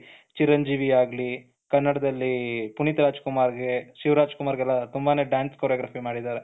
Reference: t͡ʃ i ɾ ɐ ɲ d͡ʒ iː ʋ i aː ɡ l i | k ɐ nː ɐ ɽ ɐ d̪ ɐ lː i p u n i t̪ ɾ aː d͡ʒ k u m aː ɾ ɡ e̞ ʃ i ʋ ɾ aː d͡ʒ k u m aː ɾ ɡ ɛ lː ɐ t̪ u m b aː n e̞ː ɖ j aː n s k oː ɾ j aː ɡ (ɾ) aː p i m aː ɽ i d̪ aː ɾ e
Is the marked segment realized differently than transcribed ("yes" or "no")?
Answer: no